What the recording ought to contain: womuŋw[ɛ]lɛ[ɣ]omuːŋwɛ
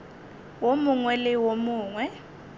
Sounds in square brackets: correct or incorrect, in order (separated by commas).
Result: correct, incorrect